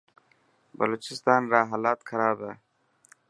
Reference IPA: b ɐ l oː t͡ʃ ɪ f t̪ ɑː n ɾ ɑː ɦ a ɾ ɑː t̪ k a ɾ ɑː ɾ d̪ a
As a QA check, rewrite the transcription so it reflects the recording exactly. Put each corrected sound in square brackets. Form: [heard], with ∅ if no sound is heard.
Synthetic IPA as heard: b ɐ l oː t͡ʃ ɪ [s] t̪ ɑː n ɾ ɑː ɦ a [l] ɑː t̪ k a ɾ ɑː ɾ d̪ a